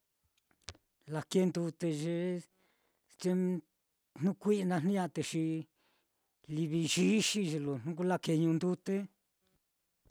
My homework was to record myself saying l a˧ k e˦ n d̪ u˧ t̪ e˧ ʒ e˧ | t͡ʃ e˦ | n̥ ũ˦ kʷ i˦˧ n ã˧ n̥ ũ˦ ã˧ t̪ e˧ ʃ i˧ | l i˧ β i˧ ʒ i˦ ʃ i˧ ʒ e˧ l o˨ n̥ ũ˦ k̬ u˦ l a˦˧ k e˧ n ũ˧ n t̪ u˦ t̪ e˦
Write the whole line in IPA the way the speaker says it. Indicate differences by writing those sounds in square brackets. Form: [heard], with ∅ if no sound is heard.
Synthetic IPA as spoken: l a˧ k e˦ n d̪ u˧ t̪ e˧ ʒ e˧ | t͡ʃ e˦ | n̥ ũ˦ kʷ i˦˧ n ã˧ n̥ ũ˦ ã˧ t̪ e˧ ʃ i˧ | l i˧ β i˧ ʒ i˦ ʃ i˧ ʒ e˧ l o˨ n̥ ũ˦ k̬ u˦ l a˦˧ k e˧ [ɲ] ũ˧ n [d̪] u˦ t̪ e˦